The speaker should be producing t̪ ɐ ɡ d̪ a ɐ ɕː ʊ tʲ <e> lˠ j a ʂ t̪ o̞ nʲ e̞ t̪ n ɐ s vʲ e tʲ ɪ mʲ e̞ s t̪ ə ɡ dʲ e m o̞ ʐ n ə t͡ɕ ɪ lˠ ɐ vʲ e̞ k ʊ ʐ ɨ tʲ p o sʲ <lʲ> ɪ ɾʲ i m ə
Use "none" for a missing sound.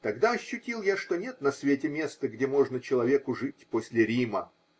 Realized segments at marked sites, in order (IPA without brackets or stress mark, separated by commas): i, lʲ